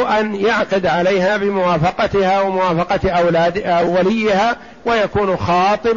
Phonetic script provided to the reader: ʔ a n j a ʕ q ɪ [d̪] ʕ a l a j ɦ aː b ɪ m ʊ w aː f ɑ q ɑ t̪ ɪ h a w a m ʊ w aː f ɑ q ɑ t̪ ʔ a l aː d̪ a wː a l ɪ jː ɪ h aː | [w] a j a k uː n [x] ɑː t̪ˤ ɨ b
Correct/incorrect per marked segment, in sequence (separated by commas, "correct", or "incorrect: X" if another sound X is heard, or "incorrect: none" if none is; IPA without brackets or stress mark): correct, correct, correct